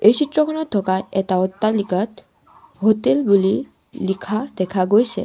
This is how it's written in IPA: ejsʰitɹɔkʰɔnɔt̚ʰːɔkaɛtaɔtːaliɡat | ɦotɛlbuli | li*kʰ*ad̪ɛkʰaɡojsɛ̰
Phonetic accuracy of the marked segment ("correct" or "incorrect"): correct